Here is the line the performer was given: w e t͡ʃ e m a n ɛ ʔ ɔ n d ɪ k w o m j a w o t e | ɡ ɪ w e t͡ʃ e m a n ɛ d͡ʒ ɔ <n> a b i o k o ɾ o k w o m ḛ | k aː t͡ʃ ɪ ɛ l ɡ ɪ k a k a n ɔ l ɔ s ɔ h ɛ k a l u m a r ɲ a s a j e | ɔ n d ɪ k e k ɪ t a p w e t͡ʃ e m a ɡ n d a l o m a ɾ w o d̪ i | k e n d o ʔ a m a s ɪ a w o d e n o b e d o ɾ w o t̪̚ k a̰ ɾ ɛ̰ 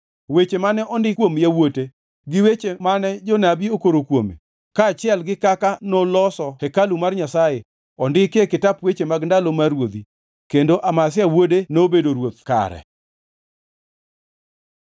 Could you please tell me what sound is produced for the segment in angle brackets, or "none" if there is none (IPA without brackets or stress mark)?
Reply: n